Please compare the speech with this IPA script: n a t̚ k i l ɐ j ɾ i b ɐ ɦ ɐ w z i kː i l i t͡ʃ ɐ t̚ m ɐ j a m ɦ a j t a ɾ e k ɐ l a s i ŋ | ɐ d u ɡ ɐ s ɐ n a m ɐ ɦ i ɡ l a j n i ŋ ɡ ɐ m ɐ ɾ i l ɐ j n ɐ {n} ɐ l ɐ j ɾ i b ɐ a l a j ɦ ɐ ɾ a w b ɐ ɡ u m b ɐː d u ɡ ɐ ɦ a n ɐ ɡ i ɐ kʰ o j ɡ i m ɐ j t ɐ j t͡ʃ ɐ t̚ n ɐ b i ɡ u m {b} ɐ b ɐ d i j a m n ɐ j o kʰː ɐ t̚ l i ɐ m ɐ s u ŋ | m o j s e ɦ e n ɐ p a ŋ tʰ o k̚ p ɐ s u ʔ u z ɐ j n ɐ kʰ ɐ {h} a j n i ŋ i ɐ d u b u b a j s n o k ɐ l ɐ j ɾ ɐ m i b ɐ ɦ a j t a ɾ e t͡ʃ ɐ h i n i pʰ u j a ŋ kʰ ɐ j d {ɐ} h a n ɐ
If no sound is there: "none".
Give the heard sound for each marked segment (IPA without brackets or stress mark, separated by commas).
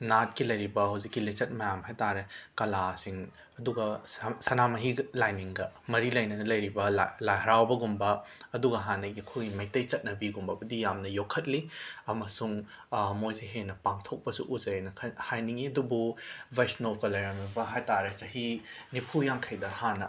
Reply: n, b, h, ɐ